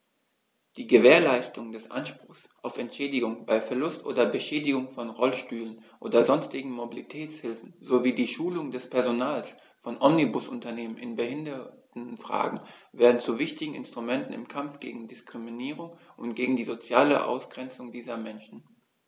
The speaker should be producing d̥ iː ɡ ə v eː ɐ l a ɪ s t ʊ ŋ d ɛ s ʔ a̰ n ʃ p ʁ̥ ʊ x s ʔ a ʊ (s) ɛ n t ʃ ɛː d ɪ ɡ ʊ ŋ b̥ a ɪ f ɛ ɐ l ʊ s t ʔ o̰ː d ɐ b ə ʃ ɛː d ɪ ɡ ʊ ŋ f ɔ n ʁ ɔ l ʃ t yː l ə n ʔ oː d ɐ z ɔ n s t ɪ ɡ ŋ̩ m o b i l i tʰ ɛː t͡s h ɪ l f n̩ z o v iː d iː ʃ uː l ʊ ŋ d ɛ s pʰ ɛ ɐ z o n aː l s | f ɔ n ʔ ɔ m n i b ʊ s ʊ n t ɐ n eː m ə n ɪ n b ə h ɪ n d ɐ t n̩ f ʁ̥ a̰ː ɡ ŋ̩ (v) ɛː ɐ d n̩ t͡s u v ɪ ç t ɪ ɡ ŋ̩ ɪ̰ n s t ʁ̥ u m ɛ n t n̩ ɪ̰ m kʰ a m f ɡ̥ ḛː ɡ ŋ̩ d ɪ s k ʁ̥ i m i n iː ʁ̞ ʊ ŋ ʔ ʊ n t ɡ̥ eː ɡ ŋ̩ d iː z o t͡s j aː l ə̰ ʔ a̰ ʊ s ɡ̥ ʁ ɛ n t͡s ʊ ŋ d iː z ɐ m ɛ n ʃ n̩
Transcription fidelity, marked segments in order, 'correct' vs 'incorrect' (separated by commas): incorrect, correct